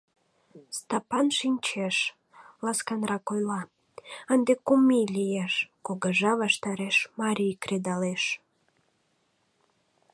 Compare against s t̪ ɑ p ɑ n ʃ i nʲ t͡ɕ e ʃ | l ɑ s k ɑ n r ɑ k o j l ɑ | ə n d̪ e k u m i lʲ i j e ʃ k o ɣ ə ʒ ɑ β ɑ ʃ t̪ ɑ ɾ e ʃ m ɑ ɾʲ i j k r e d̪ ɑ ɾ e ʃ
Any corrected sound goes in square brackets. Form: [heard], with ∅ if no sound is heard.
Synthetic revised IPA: s t̪ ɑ p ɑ n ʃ i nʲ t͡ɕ e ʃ | l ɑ s k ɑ n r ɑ k o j l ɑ | ə n d̪ e k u m i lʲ i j e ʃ k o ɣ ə ʒ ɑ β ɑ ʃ t̪ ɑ ɾ e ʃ m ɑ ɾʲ i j k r e d̪ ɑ [l] e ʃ